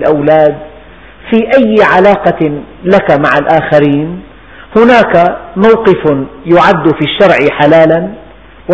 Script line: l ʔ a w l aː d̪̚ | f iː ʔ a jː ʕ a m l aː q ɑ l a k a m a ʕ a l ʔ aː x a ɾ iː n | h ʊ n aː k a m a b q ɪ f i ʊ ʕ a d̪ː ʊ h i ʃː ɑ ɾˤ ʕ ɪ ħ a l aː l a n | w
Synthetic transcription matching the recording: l ʔ a w l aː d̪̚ | f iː ʔ a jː ʕ a l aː q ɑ l a k a m a ʕ a l ʔ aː x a ɾ iː n | h ʊ n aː k a m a w q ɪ f j ʊ ʕ a d̪ː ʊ f i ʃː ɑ ɾˤ ʕ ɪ ħ a l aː l a n | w